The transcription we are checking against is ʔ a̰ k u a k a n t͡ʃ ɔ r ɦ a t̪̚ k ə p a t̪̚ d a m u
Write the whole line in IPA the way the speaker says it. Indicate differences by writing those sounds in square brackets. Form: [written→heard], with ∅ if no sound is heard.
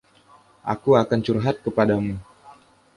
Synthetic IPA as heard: ʔ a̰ k u a k a n t͡ʃ [ɔ→u] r ɦ a t̪̚ k ə p a [t̪̚→∅] d a m u